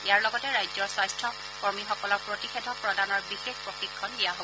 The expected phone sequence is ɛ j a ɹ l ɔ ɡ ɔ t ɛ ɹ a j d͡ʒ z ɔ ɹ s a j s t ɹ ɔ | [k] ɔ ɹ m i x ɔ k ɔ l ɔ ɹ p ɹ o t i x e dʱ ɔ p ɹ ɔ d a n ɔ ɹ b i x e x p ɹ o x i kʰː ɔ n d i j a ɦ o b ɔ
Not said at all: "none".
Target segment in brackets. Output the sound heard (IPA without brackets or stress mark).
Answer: k